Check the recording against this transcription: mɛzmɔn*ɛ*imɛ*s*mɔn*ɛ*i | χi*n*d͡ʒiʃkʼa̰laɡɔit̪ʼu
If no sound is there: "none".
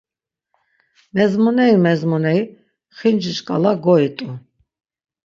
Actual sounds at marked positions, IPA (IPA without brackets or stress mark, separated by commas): ɛ, z, ɛ, n